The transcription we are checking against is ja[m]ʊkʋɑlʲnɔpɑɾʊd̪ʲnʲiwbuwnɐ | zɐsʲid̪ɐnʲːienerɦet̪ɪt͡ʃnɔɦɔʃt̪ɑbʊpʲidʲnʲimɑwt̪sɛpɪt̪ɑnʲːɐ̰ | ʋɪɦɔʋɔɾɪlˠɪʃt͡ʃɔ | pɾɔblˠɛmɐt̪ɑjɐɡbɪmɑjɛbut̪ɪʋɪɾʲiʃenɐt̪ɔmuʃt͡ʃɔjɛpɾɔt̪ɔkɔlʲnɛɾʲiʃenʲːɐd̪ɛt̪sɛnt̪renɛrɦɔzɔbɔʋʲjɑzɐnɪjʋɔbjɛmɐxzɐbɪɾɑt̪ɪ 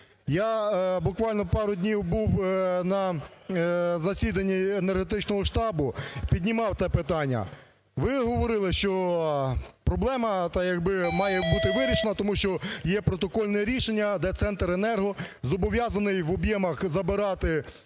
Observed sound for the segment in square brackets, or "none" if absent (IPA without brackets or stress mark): b